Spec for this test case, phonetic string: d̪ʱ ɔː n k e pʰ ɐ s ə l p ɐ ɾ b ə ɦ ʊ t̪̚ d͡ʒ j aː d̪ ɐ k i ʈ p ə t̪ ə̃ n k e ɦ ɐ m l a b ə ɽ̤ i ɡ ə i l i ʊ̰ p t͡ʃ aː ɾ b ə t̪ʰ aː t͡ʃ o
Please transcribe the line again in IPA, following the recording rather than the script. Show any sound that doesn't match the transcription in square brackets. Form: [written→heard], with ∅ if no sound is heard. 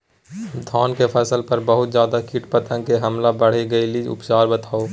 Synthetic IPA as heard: d̪ʱ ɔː n k e pʰ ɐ s ə l p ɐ ɾ b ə ɦ ʊ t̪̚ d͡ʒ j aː d̪ [ɐ→a] k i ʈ p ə t̪ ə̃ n k e ɦ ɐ m l a b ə ɽ̤ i ɡ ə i l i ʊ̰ p t͡ʃ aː ɾ b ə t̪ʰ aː [t͡ʃ→∅] o